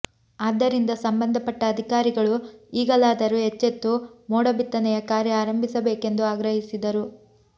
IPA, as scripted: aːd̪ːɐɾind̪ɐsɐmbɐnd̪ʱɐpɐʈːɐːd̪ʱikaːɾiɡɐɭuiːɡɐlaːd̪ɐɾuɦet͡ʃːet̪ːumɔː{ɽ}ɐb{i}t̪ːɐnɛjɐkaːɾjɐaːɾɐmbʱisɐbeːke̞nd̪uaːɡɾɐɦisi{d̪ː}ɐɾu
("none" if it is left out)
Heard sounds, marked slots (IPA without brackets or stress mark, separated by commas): ɽ, i, d̪